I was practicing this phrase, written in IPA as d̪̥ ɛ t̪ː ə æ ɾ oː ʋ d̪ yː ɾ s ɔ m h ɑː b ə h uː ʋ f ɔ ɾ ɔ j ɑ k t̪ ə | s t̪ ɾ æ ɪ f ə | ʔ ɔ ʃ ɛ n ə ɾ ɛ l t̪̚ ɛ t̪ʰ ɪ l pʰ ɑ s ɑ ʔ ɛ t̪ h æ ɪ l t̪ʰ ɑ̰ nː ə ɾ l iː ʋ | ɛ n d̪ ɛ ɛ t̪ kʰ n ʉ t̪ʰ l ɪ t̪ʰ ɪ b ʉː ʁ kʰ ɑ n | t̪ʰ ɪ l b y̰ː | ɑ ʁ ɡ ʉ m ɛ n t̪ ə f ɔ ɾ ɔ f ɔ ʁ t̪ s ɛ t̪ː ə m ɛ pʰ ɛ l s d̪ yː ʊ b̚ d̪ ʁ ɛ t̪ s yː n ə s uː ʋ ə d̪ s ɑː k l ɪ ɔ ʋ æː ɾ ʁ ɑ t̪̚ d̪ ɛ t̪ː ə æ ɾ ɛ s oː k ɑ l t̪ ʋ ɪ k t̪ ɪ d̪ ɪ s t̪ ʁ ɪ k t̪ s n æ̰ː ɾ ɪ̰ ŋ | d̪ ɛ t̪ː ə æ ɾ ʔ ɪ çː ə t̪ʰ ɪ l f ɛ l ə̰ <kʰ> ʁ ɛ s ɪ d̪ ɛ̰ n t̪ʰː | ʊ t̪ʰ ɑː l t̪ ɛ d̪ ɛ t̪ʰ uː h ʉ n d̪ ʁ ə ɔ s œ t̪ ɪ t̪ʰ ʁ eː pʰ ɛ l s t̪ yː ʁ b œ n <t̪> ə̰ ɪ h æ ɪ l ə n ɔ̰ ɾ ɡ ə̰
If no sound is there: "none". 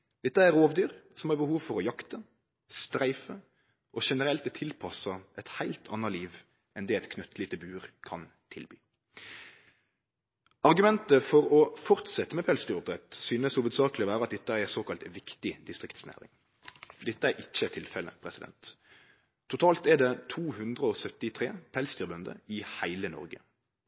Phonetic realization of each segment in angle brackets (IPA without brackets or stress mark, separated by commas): pʰ, d̪